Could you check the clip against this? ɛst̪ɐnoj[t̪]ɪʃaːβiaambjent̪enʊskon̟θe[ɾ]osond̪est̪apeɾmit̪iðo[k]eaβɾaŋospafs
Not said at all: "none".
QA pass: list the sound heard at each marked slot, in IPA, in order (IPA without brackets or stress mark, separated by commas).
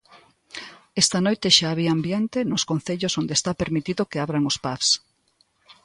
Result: t̪, ʎ, k